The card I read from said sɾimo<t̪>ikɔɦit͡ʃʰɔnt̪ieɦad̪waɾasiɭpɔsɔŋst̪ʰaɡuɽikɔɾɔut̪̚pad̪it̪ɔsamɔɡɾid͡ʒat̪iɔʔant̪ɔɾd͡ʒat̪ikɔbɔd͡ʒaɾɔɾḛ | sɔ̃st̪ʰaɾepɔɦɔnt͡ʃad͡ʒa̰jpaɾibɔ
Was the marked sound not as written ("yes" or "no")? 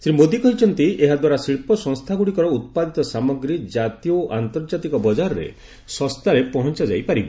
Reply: yes